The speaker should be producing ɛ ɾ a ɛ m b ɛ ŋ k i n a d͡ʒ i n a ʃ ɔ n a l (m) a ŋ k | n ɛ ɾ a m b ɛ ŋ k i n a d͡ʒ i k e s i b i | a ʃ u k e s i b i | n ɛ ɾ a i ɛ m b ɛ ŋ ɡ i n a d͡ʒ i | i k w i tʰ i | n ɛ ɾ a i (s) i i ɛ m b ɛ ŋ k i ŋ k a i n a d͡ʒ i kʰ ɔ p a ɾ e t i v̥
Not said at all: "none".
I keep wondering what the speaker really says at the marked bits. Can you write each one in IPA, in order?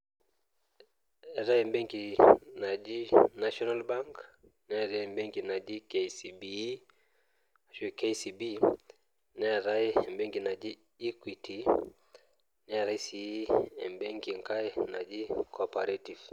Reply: b, s

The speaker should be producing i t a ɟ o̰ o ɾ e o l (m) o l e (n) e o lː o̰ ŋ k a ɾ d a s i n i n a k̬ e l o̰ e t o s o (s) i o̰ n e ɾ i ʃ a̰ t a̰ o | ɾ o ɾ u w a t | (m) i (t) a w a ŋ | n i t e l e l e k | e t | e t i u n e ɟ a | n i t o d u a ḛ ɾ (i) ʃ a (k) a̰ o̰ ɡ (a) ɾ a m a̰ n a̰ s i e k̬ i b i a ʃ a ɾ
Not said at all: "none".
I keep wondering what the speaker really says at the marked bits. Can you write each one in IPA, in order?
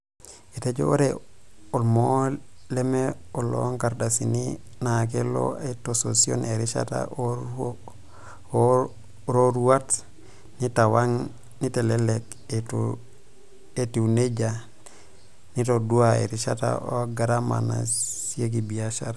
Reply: m, m, s, n, t, i, t, a

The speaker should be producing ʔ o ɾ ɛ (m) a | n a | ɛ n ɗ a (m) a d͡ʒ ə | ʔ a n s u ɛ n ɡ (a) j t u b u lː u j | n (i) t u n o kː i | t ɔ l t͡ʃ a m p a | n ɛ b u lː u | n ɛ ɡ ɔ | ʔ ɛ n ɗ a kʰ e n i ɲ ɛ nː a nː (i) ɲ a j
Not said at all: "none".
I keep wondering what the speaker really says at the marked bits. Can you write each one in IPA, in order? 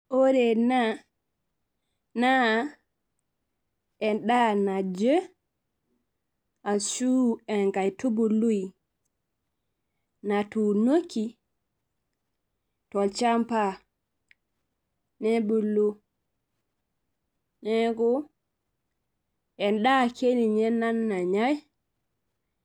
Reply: n, n, a, a, a

